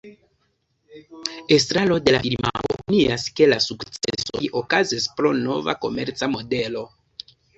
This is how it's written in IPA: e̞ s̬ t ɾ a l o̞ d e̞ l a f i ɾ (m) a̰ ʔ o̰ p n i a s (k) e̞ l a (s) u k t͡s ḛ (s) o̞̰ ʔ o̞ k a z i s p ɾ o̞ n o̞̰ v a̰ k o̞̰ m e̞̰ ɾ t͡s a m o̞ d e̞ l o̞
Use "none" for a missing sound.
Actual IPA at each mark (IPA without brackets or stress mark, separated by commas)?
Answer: m, k, s, s